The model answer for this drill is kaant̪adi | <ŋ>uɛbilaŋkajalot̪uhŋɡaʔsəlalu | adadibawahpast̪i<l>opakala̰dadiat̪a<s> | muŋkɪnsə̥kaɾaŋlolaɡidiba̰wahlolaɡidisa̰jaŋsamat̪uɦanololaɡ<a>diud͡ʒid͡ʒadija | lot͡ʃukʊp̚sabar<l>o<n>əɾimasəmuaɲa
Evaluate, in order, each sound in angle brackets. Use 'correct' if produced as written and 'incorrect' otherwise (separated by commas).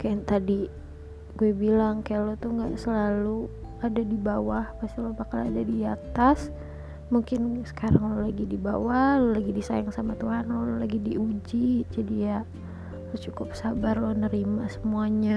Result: incorrect, correct, correct, incorrect, correct, correct